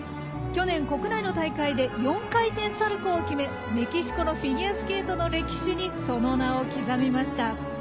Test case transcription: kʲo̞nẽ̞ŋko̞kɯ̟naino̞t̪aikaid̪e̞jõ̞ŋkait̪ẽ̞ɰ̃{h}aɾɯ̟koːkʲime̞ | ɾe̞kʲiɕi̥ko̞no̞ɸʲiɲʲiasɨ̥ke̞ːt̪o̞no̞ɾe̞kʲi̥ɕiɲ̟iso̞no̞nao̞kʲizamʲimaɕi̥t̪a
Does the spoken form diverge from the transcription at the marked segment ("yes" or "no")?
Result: yes